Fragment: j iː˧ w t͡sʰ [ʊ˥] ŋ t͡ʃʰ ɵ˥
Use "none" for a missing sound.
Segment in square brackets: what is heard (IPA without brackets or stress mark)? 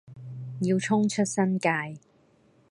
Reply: ʊ˥